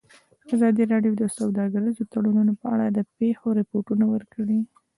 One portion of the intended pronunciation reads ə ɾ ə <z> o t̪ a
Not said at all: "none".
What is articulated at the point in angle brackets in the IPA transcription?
z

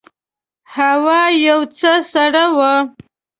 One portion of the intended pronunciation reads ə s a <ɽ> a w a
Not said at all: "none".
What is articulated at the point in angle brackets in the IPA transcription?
ɽ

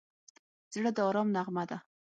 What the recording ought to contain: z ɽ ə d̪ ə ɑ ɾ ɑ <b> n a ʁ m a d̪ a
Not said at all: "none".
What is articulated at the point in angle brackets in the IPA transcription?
m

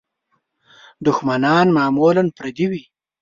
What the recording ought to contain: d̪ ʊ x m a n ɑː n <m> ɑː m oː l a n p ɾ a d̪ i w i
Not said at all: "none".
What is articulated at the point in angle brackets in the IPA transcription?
m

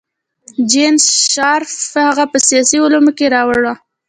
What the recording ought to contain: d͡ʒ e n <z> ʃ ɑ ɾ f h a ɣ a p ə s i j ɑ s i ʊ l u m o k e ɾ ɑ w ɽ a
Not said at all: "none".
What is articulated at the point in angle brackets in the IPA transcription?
s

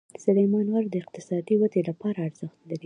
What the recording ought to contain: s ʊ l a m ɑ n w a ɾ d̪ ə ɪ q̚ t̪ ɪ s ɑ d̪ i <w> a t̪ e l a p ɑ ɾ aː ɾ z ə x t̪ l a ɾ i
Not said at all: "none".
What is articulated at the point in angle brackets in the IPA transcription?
w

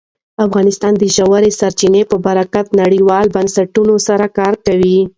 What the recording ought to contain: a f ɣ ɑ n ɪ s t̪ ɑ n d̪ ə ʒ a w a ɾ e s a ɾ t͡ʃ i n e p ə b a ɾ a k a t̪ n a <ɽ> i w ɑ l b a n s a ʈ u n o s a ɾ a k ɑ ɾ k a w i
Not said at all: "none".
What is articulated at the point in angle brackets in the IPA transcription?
ɽ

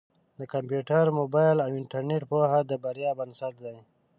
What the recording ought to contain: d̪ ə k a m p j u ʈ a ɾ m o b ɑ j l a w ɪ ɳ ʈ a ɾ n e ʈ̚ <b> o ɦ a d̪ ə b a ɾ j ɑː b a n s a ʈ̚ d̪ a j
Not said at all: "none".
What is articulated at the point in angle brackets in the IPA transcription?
p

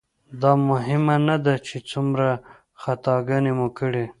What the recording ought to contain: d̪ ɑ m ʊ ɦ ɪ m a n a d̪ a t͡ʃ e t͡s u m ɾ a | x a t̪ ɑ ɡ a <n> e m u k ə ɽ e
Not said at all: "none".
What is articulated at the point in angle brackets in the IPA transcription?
n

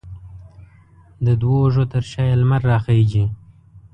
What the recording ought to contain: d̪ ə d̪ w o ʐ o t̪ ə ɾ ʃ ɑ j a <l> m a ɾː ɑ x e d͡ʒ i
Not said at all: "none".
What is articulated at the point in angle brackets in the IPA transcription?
l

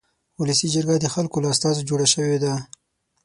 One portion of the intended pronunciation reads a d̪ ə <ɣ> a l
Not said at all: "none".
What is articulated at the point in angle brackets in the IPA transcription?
x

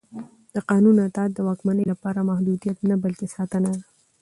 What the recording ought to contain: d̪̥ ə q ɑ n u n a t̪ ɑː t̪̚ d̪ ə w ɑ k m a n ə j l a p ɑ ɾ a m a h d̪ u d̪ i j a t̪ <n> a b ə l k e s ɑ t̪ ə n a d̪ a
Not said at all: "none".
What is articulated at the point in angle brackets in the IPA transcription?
n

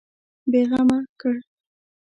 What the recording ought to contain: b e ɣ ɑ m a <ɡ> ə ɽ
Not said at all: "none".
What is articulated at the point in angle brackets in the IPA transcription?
k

